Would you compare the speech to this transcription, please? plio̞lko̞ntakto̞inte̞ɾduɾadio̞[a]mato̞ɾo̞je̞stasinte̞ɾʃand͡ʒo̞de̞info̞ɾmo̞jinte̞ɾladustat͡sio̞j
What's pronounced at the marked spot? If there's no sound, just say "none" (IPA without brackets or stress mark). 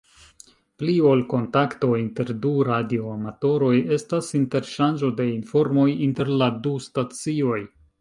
a